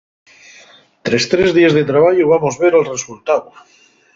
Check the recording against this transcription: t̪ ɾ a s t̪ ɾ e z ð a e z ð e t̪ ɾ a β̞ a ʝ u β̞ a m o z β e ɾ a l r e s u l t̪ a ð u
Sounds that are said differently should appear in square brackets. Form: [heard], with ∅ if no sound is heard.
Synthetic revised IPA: t̪ ɾ [e] s t̪ ɾ e z ð [i] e z ð e t̪ ɾ a β̞ a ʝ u β̞ a m o z β e ɾ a l r e s u l t̪ a ð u